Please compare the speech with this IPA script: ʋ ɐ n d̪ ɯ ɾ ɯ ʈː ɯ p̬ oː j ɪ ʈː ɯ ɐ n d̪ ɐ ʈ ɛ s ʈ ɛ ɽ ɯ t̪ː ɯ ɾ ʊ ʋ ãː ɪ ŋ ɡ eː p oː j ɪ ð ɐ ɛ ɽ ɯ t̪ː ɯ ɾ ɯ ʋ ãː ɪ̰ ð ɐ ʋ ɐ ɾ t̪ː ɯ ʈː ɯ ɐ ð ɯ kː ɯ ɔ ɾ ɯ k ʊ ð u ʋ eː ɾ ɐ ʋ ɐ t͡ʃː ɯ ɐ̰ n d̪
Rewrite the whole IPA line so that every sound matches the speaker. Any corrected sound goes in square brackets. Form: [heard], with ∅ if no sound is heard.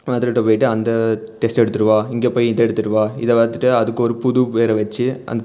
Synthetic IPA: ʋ ɐ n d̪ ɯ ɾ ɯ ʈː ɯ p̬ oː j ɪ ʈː ɯ ɐ n d̪ ɐ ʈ ɛ s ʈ ɛ ɽ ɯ t̪ː ɯ ɾ [ɯ] ʋ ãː ɪ ŋ ɡ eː p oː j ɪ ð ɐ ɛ ɽ ɯ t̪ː ɯ ɾ ɯ ʋ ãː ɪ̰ ð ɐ ʋ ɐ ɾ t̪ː ɯ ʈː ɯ ɐ ð ɯ kː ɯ ɔ ɾ ɯ [p] ʊ ð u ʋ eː ɾ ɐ ʋ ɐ t͡ʃː ɯ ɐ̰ n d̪